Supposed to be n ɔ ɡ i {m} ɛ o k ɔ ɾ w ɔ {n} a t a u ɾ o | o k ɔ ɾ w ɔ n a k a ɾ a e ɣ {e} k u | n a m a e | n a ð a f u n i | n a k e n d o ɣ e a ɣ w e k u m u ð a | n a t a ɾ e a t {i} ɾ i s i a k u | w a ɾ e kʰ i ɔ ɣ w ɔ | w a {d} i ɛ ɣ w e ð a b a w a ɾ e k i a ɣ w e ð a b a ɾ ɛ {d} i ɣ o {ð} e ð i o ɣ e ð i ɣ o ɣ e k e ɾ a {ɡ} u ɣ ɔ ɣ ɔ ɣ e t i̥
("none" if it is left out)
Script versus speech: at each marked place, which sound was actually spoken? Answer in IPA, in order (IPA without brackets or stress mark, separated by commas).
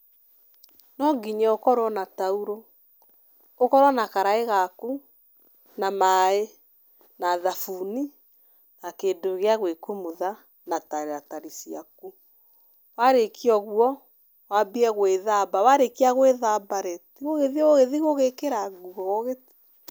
ɲ, n, a, a, b, t, ɣ, ɡ